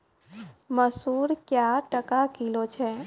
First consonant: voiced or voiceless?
voiced